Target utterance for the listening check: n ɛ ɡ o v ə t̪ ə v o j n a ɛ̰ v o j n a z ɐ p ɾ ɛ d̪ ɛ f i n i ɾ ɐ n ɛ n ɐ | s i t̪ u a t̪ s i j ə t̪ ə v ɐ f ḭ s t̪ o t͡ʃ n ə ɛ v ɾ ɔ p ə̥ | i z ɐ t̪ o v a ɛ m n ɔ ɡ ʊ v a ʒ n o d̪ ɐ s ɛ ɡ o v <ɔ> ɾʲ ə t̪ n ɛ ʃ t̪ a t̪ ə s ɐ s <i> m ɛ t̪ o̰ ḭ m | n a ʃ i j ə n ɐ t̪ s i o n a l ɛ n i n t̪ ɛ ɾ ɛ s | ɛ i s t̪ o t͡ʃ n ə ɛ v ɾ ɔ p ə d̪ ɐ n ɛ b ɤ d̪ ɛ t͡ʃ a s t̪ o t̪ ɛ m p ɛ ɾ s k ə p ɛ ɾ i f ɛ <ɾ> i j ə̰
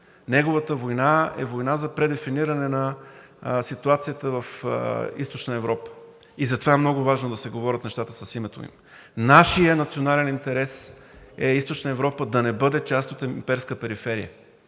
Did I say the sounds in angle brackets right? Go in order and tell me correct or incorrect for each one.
correct, correct, correct

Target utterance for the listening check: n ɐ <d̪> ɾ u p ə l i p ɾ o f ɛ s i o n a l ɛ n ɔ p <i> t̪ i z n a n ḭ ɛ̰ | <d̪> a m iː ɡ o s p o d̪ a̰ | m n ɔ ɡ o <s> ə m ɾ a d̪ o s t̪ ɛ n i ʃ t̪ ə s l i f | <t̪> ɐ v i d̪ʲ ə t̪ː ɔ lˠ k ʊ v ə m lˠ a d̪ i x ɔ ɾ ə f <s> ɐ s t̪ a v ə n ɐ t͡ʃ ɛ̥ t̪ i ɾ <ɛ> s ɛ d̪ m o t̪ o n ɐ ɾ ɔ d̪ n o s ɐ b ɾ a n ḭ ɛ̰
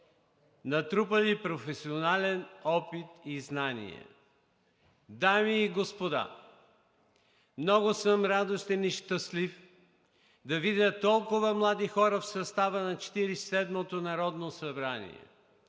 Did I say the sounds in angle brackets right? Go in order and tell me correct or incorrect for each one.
incorrect, correct, correct, correct, incorrect, correct, incorrect

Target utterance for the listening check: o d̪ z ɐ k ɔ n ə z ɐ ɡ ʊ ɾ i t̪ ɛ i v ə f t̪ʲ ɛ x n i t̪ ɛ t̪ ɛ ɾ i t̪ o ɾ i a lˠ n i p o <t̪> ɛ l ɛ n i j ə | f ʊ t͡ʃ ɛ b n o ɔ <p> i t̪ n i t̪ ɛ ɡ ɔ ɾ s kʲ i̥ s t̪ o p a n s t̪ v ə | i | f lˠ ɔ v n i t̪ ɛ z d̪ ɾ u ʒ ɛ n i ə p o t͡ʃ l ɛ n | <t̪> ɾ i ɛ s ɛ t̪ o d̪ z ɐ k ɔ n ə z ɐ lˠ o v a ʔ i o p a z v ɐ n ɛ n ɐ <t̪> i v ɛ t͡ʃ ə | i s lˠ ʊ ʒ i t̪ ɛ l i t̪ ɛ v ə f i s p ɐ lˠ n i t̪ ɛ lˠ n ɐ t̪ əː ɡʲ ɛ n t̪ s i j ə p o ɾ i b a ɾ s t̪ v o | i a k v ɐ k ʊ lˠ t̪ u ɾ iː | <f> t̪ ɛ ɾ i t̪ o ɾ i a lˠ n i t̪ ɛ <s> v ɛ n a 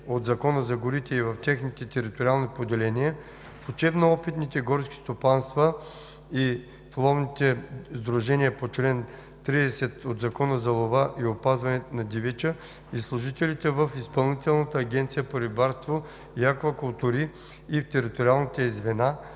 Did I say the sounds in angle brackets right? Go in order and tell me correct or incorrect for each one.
incorrect, correct, correct, incorrect, correct, incorrect

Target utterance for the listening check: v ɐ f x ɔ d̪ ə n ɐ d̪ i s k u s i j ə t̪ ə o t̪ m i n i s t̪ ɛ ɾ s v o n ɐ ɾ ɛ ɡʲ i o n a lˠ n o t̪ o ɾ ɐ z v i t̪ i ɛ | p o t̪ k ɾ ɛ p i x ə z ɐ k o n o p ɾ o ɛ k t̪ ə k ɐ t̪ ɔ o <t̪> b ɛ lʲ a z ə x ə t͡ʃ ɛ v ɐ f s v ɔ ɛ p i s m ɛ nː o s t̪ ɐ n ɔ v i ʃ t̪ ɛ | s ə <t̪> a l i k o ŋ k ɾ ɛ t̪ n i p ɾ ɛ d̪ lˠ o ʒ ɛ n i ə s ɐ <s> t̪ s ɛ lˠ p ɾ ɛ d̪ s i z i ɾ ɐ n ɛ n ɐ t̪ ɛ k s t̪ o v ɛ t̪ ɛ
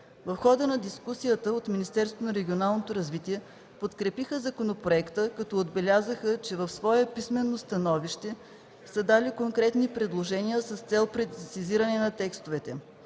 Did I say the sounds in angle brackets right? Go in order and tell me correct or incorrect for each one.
incorrect, incorrect, correct

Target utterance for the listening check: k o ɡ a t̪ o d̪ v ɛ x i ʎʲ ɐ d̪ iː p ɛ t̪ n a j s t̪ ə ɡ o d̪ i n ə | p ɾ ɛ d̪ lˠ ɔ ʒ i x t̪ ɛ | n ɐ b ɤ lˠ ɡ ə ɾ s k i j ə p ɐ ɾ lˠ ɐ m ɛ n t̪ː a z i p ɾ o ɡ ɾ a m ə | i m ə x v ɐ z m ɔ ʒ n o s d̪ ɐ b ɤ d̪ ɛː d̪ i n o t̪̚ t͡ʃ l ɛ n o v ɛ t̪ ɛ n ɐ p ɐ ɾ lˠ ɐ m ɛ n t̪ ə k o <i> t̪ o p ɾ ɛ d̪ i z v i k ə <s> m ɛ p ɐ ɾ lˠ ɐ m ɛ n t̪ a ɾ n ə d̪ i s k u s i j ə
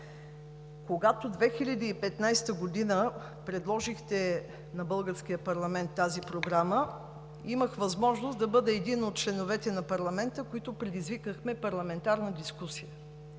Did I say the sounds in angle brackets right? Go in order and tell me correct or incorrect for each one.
correct, incorrect

